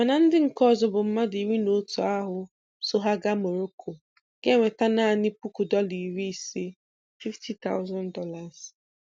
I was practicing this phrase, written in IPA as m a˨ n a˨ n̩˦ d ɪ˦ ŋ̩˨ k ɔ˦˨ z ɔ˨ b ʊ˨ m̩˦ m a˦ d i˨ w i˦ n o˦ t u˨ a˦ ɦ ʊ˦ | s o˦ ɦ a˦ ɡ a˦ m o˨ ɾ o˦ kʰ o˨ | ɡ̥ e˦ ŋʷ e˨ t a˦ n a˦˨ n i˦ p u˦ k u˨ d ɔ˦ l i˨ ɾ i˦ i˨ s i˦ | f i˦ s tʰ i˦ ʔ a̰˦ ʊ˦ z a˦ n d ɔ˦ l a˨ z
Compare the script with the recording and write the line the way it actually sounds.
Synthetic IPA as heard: m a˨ n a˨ n̩˦ d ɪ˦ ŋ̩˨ k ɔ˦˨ z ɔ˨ b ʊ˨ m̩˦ m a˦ d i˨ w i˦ n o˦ t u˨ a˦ ɦ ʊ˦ | s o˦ ɦ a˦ ɡ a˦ m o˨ ɾ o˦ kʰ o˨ | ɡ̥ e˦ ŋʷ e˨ t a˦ n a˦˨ n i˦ p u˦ k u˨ d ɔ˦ l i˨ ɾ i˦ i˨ s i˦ | f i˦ f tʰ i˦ t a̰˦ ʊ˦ z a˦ n d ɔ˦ l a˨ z